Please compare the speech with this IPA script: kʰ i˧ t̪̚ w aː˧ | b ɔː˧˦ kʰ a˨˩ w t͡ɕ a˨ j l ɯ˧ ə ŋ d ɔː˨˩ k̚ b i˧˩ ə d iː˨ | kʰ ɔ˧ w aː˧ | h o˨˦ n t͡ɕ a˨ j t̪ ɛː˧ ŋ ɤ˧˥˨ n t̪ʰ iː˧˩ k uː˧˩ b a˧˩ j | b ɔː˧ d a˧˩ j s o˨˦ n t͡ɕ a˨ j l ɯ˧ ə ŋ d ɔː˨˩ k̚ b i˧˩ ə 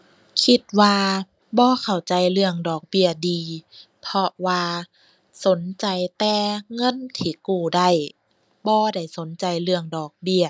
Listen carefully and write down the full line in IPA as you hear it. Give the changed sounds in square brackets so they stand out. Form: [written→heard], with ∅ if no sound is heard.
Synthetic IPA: kʰ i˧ t̪̚ w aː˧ | b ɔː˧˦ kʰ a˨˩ w t͡ɕ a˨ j l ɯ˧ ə ŋ d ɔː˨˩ k̚ b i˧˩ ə d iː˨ | [kʰ→pʰ] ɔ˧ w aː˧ | [h→s] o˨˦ n t͡ɕ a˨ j t̪ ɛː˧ ŋ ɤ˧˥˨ n t̪ʰ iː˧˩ k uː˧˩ [b→d] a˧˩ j | b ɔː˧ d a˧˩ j s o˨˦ n t͡ɕ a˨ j l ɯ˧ ə ŋ d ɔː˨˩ k̚ b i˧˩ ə